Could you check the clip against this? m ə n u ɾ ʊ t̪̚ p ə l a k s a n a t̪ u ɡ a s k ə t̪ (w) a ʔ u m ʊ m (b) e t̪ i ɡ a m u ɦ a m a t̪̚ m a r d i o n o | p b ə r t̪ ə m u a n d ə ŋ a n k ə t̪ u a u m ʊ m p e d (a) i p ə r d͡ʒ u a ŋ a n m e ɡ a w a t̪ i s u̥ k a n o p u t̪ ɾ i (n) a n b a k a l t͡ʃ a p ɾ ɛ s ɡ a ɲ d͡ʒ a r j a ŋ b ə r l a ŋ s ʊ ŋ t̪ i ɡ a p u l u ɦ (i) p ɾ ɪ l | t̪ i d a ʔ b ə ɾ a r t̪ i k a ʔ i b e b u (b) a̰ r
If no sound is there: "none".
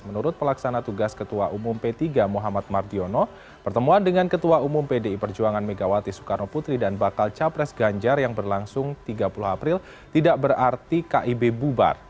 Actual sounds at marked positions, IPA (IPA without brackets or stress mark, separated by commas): u, p, e, d, a, b